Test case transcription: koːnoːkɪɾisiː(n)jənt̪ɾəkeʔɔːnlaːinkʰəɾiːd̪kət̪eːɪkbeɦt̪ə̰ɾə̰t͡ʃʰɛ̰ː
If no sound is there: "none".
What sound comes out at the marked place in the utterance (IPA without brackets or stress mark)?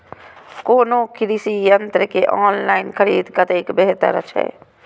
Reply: none